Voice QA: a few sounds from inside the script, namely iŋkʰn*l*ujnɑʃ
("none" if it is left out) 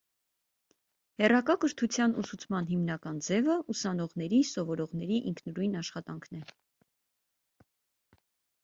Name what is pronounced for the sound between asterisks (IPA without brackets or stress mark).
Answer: ɾ